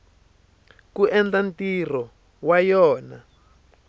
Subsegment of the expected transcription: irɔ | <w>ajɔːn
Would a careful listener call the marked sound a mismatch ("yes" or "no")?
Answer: no